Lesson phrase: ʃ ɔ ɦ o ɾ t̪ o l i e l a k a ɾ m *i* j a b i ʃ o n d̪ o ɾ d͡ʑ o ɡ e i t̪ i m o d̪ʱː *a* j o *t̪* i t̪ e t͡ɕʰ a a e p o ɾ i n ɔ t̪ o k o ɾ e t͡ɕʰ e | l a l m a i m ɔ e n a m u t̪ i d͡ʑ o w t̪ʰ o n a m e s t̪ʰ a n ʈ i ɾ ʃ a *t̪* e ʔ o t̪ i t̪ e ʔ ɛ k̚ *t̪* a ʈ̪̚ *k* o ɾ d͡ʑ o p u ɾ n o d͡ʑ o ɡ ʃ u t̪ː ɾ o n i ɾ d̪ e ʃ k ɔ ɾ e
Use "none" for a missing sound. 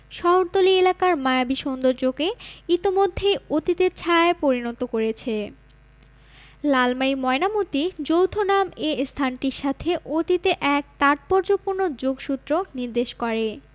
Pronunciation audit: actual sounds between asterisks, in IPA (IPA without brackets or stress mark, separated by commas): a, e, t̪, t̪ʰ, t̪, p